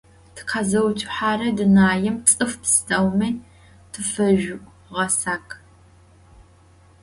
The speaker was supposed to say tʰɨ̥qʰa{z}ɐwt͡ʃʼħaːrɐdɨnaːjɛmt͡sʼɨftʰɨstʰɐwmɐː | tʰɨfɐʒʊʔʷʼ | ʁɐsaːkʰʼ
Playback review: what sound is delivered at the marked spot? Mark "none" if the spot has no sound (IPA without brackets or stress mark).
z